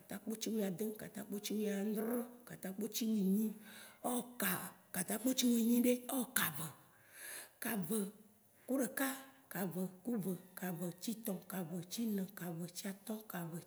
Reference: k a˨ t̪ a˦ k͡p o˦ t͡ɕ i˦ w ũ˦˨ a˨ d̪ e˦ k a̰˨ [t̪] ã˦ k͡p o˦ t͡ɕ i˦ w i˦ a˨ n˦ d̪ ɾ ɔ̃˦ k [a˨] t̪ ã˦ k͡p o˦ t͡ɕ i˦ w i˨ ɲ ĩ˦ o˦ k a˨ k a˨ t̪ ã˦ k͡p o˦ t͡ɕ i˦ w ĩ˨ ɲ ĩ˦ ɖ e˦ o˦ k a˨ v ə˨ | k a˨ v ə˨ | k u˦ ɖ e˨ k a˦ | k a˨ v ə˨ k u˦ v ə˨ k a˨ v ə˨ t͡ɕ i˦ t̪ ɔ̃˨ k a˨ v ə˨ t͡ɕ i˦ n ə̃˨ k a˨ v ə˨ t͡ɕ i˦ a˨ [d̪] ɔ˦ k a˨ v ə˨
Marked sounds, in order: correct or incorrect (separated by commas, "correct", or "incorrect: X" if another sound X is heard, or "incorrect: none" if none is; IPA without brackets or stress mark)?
correct, correct, incorrect: t̪